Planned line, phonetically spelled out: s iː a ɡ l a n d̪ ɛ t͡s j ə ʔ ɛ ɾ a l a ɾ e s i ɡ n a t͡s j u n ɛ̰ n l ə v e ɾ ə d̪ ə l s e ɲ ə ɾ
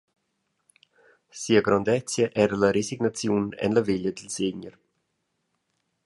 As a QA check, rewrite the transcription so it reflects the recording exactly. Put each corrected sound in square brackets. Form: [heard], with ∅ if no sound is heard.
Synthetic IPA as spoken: s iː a ɡ [ɾ] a n d̪ ɛ t͡s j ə ʔ ɛ ɾ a l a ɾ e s i ɡ n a t͡s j u n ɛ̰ n l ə v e [ʎ] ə d̪ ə l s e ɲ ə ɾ